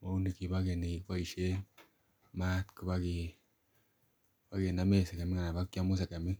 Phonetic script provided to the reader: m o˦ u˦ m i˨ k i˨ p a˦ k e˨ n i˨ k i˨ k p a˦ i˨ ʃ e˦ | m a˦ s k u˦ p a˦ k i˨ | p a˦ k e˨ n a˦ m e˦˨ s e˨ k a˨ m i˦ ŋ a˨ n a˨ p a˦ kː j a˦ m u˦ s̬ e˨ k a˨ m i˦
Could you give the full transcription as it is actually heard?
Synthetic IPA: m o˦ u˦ n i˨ k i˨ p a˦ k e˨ n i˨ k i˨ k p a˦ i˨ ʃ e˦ | m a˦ t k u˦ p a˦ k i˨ | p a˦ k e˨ n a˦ m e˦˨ s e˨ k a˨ m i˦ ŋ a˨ n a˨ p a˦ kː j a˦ m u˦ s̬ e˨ k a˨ m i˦